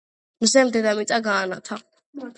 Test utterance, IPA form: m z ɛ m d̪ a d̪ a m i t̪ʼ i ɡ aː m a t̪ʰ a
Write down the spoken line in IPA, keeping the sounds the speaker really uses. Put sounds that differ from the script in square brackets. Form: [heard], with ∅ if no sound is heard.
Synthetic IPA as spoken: m z ɛ m d̪ [ɛ] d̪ a m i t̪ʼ [a] ɡ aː [n] a t̪ʰ a